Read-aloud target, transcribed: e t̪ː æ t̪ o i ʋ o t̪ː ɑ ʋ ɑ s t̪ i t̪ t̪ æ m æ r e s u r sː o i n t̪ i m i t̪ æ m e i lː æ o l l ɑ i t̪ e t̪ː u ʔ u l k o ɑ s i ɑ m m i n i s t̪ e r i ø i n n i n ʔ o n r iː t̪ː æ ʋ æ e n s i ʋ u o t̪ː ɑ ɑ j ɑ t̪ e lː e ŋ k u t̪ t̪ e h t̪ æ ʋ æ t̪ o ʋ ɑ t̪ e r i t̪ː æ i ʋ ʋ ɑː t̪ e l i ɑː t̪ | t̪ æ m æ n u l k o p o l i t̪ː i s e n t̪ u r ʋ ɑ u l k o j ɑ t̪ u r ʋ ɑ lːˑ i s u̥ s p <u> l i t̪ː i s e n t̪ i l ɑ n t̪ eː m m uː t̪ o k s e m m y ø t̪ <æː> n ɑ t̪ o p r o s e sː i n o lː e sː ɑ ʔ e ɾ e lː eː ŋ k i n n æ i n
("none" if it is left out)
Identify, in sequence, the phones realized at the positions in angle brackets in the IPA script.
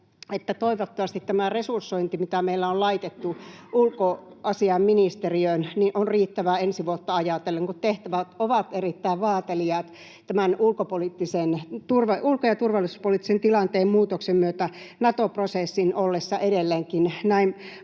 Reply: o, æ

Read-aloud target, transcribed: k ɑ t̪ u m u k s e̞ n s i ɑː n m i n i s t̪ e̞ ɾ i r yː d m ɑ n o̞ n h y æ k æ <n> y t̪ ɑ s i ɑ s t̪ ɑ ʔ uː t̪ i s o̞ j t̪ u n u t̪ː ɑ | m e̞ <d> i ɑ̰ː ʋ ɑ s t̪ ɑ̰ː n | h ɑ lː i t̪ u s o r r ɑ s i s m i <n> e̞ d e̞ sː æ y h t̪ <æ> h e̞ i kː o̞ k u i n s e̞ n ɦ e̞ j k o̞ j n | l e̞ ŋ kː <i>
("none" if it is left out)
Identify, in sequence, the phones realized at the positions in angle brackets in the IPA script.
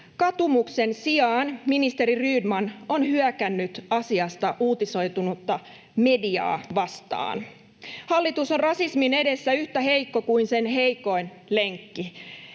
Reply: nː, d, n, æ, i

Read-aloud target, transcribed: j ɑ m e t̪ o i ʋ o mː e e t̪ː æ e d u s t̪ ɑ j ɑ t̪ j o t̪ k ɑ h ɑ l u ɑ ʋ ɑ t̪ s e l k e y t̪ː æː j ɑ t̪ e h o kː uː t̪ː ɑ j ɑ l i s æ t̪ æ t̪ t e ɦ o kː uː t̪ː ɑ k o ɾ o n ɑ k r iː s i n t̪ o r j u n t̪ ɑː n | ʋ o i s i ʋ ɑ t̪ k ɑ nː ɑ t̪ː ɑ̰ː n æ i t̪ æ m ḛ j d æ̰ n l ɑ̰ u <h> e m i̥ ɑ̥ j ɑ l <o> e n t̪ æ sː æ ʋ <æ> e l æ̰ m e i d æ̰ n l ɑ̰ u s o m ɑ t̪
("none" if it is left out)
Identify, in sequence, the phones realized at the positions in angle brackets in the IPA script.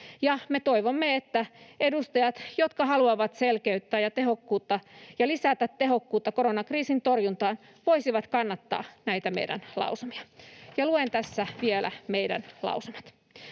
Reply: s, u, i

